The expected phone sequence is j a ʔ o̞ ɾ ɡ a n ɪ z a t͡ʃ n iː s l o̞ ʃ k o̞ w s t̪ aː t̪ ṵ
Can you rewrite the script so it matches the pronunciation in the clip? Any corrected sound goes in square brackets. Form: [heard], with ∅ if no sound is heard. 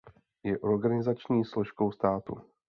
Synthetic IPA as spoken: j [ɛ] ʔ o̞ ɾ ɡ a n ɪ z a t͡ʃ [ɲ] iː s l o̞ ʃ k o̞ w s t̪ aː t̪ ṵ